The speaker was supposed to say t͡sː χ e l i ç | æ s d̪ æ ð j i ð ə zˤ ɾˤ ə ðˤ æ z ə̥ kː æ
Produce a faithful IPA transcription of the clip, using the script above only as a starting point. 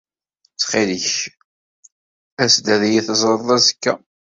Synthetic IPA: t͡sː χ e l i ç | æ s d̪ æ ð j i θ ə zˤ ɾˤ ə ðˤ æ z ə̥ kː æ